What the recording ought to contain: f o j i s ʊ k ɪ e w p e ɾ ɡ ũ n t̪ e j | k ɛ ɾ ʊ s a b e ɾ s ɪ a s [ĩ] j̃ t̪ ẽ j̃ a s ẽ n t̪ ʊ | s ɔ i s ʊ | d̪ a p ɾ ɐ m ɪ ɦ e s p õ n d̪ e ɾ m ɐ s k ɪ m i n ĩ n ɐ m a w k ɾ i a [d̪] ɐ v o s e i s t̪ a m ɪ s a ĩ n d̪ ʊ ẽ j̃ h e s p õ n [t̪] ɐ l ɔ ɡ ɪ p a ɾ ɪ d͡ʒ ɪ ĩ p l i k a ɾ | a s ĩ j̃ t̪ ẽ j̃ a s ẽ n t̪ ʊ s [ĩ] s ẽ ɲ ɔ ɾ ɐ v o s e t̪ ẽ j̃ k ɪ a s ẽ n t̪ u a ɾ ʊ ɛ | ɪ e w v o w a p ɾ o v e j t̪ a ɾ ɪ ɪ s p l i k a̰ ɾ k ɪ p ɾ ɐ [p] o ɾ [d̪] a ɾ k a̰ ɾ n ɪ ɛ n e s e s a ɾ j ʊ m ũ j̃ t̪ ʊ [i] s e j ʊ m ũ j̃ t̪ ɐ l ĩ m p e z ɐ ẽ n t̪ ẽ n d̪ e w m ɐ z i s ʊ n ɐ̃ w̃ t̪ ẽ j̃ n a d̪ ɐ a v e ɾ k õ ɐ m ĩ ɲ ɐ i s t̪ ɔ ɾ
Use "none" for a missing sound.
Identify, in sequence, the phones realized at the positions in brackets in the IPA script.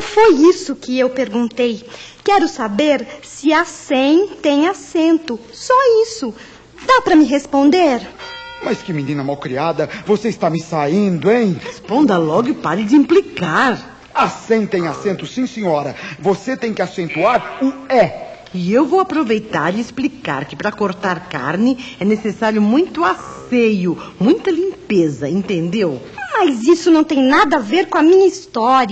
ẽ, d̪, d̪, ĩ, k, t̪, a

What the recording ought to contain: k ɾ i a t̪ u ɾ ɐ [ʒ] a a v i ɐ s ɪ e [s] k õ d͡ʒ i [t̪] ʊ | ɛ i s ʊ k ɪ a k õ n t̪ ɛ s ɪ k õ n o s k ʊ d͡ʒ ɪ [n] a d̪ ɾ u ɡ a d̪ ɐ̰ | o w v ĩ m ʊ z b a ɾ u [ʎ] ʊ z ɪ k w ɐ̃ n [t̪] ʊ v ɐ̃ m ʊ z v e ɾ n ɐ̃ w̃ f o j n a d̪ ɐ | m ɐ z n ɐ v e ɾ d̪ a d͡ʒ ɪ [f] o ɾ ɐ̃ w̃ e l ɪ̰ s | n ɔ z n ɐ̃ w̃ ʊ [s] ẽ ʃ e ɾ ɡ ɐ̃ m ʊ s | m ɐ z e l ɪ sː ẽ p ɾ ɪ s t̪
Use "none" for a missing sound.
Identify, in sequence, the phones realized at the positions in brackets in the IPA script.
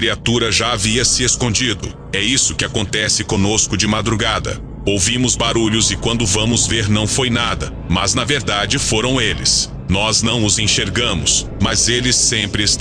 ʒ, s, d̪, m, ʎ, d̪, f, z

